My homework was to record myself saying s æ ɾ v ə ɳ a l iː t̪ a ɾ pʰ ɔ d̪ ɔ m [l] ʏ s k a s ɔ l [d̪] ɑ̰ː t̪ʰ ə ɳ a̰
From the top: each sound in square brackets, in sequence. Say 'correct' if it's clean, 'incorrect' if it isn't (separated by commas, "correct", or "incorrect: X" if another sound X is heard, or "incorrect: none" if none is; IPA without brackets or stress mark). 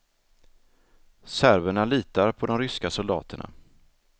incorrect: ɾ, correct